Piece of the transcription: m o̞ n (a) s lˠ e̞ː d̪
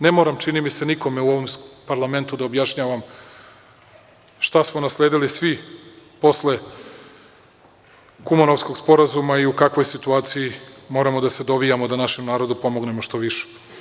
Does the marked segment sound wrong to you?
no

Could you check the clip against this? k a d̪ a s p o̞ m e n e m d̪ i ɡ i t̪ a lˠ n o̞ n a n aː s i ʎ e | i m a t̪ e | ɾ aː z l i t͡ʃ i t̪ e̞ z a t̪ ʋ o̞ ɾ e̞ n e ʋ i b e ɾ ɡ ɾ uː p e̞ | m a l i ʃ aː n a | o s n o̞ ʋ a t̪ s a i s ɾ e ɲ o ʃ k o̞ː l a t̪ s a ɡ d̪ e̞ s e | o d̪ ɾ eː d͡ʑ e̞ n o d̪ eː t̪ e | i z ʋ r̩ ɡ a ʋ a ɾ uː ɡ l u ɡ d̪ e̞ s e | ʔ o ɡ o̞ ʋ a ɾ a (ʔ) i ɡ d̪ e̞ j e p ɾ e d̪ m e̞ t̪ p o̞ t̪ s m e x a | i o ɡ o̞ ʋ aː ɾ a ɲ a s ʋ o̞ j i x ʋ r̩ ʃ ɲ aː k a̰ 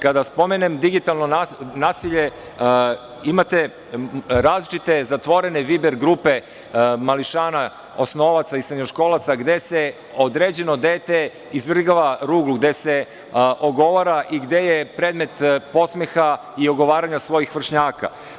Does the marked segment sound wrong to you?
no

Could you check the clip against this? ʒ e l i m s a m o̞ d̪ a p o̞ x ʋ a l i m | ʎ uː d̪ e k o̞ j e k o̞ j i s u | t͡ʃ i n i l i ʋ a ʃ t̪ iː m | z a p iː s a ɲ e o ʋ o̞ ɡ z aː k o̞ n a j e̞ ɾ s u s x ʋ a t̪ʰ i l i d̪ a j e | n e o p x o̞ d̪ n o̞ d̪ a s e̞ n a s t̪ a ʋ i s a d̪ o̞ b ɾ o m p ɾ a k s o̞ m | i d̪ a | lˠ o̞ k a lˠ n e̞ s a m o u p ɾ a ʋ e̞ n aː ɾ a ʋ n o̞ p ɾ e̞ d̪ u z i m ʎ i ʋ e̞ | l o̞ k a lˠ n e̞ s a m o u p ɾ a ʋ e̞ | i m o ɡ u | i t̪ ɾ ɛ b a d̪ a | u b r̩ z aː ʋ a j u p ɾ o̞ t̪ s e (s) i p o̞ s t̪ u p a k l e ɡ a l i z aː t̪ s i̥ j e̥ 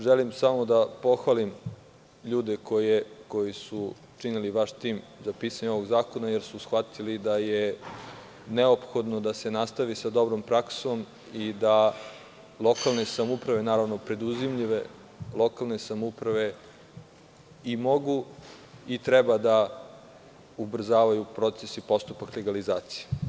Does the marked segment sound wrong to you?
no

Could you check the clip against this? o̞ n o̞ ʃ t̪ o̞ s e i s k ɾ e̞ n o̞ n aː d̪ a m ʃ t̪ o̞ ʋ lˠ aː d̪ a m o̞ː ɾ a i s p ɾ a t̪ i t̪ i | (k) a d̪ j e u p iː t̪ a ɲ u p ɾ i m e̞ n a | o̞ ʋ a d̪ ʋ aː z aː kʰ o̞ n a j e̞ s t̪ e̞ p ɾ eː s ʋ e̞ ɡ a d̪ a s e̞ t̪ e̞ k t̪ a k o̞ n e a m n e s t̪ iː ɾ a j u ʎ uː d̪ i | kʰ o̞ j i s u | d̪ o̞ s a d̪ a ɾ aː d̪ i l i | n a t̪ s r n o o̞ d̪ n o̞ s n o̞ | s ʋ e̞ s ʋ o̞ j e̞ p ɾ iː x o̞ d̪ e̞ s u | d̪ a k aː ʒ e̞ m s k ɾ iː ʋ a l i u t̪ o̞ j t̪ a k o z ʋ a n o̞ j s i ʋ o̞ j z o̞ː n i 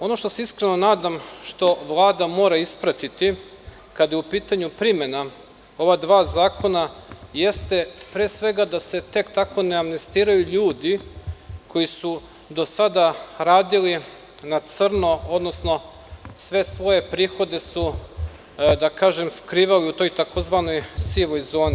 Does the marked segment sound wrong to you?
no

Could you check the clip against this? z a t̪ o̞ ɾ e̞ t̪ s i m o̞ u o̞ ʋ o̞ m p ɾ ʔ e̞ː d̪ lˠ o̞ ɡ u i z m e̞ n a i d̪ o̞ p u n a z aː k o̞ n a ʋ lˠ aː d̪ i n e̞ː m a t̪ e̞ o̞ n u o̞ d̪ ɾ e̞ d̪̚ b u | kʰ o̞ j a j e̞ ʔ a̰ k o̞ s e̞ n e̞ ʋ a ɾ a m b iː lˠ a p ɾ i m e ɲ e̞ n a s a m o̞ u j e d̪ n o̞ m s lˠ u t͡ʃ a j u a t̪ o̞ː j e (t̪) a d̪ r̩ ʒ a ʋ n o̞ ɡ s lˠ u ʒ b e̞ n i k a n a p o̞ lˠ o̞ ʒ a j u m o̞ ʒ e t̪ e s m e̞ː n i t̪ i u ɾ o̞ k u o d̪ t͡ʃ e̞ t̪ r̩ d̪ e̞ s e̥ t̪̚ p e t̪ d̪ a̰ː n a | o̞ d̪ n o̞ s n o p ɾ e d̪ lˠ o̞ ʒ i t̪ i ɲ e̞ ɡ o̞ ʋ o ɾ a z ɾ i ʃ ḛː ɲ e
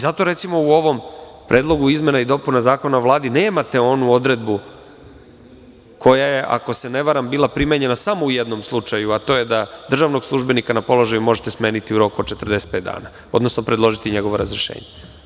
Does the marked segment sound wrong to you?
yes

